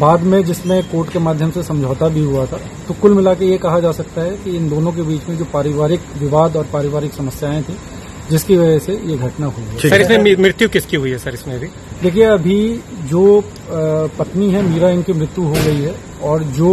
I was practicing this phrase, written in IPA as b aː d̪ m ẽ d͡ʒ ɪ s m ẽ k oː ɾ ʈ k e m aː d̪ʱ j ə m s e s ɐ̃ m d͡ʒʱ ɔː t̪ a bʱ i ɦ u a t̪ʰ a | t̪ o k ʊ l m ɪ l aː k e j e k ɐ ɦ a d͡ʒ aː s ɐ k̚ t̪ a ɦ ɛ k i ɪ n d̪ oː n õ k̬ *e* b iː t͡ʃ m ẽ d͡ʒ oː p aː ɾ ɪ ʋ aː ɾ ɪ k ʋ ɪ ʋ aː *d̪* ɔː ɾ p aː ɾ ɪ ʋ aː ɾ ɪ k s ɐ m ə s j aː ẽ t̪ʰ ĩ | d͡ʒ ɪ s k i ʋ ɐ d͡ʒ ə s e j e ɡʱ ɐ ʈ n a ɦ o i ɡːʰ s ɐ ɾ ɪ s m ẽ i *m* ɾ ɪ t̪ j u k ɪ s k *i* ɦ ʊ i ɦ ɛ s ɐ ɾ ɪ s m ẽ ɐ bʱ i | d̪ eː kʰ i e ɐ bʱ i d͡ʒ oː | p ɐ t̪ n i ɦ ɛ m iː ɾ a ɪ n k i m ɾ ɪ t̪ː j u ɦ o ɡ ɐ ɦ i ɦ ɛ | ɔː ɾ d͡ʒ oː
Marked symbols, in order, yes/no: yes, yes, yes, yes

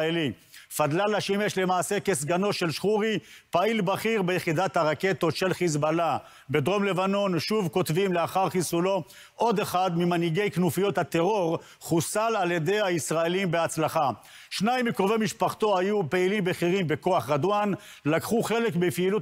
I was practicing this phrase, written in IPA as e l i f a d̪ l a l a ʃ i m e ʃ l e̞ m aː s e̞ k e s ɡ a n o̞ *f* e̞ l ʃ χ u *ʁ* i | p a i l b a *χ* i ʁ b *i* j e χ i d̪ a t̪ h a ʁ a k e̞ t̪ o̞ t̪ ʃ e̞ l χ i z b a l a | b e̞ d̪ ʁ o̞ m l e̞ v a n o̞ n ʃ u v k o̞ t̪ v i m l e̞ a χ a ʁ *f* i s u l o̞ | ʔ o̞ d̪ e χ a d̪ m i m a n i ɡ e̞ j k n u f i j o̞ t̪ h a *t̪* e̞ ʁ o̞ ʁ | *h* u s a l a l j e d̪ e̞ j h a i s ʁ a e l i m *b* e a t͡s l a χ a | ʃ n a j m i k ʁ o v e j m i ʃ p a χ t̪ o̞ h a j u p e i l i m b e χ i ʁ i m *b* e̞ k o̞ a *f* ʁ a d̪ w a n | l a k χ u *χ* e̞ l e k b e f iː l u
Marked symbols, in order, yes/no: no, yes, yes, no, no, yes, no, yes, yes, no, yes

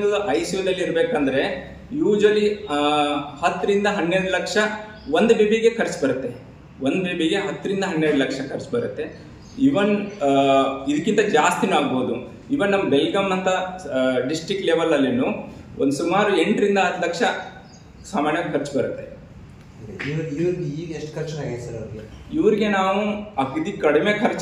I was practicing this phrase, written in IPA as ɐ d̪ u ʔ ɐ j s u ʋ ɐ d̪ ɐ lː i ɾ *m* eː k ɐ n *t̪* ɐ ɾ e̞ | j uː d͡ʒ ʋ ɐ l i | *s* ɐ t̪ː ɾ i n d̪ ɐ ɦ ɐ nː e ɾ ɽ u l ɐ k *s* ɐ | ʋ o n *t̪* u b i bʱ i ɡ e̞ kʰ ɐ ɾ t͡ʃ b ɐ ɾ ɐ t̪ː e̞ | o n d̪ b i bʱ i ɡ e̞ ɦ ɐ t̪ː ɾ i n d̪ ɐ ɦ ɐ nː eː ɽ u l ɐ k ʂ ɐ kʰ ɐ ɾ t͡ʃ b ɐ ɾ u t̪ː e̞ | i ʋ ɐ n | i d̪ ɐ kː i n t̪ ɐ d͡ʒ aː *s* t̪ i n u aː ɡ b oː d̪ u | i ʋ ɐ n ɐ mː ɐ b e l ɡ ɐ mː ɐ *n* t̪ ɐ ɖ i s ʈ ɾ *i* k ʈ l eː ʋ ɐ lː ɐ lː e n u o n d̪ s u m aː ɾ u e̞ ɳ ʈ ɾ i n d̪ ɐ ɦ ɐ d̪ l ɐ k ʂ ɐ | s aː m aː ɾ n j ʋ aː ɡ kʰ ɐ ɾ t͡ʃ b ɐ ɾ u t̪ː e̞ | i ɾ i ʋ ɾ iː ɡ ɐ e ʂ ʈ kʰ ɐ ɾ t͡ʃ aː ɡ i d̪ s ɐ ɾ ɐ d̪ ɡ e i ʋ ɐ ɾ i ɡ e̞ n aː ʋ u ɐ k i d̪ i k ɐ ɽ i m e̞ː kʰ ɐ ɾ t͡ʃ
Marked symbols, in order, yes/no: no, no, no, no, no, yes, yes, yes

